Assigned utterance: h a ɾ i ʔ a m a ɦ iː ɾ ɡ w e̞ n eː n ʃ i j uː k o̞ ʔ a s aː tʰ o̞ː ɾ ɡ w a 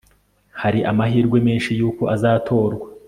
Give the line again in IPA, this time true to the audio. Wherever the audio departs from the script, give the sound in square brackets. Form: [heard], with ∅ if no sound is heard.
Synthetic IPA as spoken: h a ɾ i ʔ a m a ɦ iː ɾ ɡ w e̞ [m] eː n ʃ i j uː k o̞ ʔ a [z] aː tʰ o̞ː ɾ ɡ w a